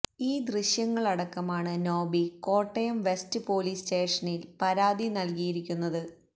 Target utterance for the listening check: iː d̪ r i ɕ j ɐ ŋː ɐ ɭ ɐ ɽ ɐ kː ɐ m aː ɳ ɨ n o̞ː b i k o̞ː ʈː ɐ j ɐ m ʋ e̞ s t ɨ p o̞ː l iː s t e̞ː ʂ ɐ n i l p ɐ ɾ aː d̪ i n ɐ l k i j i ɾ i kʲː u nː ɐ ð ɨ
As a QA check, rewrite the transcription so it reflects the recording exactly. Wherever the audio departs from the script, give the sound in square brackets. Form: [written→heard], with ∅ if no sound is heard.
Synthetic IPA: iː d̪ r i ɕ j ɐ ŋː ɐ ɭ ɐ ɽ ɐ kː ɐ m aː ɳ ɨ n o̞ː b i k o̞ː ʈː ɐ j ɐ m ʋ e̞ s t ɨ p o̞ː l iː s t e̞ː ʂ ɐ n i l p ɐ ɾ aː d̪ i n ɐ l k i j i ɾ i kʲː u nː ɐ ð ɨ

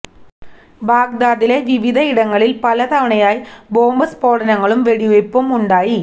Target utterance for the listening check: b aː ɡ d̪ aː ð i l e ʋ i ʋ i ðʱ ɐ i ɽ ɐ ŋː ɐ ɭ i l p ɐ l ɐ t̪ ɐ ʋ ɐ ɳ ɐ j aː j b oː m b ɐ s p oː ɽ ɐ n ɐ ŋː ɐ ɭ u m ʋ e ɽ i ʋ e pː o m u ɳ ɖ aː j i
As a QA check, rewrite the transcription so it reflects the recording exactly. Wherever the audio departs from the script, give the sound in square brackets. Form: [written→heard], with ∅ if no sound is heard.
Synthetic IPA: b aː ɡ d̪ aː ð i l e ʋ i ʋ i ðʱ ɐ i ɽ ɐ ŋː ɐ ɭ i l p ɐ l ɐ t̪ ɐ ʋ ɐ ɳ ɐ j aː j b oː m b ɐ s p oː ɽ ɐ n ɐ ŋː ɐ ɭ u m ʋ e ɽ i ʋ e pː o m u ɳ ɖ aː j i

